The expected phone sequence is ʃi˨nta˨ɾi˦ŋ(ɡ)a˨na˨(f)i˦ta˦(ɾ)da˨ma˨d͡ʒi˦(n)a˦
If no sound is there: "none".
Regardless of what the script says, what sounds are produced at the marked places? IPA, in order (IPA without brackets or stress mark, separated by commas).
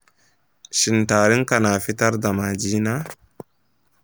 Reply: k, f, ɾ, n